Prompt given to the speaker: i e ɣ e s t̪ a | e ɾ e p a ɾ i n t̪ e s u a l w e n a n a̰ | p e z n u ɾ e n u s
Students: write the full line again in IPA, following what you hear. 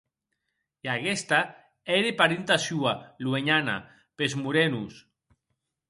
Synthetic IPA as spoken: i a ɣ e s t̪ a | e ɾ e p a ɾ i n t̪ a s u a l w e ɲ a n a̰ | p e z m u ɾ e n u s